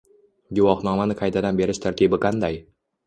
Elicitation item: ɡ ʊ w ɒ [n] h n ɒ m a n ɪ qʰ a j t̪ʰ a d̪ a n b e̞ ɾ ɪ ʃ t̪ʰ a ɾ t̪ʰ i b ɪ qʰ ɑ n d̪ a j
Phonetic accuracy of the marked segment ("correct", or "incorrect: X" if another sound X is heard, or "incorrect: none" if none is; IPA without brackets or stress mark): incorrect: none